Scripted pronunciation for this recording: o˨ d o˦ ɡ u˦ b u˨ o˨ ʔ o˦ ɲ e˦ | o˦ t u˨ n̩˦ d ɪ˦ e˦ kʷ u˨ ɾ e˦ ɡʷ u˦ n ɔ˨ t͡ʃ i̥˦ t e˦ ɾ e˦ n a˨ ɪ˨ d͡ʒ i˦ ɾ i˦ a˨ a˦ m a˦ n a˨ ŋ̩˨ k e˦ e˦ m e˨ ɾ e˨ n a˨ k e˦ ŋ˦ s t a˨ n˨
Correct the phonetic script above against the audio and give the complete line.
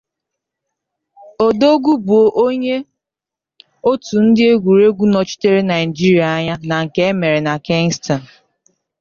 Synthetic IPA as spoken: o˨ d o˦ ɡ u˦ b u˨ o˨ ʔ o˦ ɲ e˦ | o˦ t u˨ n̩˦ d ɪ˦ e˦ ɡʷ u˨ ɾ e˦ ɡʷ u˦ n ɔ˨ t͡ʃ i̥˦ t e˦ ɾ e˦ n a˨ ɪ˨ d͡ʒ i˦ ɾ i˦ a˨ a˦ ɲ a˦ n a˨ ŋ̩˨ k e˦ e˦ m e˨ ɾ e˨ n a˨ k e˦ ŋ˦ s t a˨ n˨